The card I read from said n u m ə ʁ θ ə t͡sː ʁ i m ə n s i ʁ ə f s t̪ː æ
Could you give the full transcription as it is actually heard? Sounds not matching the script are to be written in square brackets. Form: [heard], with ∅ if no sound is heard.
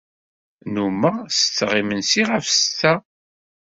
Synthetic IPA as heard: n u m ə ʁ [s] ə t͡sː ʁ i m ə n s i ʁ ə f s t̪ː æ